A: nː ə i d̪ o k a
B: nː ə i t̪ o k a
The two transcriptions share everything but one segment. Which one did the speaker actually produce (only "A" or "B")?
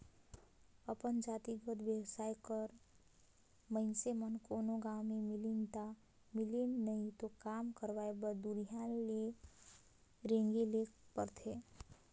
B